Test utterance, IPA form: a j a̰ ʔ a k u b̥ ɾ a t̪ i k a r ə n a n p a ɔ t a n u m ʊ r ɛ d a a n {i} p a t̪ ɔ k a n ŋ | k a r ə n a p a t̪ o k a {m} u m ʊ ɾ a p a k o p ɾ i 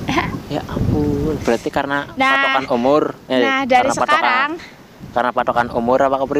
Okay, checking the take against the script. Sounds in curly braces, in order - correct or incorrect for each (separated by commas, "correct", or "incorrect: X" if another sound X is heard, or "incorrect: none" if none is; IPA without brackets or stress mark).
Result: incorrect: a, incorrect: n